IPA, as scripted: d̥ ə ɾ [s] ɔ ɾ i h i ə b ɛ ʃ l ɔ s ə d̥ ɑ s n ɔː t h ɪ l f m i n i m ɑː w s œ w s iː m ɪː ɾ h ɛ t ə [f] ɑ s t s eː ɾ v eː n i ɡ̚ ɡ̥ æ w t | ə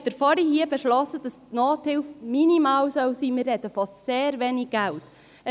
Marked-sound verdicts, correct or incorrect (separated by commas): incorrect, correct